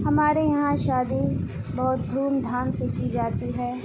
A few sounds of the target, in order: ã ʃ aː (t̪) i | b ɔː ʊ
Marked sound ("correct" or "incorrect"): incorrect